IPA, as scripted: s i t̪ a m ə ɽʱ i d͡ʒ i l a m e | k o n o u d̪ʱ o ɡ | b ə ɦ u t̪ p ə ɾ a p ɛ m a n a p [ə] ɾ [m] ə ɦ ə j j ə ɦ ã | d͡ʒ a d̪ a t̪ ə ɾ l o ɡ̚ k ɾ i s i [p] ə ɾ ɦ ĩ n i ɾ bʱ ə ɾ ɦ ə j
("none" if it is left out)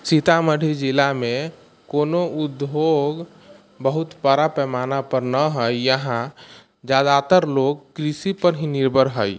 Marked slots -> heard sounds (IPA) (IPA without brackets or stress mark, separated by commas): ə, n, p